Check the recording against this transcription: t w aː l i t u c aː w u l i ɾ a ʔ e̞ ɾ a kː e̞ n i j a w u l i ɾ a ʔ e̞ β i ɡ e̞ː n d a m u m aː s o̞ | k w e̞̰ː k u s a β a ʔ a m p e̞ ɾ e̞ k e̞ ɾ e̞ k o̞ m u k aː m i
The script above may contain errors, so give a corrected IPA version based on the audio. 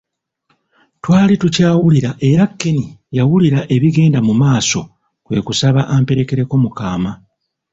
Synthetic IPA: t w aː l i t u c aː w u l i ɾ a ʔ e̞ ɾ a kː e̞ n i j a w u l i ɾ a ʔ e̞ β i ɡ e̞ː n d a m u m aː s o̞ | k w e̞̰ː k u s a β a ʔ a m p e̞ ɾ e̞ k e̞ ɾ e̞ k o̞ m u k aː m a